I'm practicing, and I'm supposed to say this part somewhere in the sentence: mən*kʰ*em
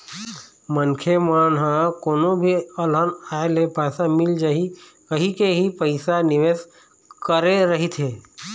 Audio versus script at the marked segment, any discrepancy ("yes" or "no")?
no